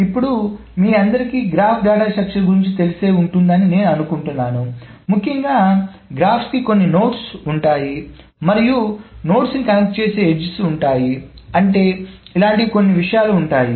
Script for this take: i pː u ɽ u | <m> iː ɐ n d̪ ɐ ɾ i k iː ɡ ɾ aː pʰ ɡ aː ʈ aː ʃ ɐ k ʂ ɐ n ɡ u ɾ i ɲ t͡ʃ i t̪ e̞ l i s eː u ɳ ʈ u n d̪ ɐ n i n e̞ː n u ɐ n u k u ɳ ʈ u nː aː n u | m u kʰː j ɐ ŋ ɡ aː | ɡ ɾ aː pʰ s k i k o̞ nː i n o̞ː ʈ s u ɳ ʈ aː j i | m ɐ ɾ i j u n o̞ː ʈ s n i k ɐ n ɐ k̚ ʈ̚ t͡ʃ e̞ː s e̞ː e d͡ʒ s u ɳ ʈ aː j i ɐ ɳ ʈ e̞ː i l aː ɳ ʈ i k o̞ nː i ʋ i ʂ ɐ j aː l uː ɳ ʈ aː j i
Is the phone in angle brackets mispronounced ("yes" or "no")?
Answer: no